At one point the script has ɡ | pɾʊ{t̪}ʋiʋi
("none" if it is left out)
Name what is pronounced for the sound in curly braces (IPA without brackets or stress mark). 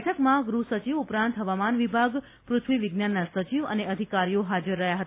t̪ʰ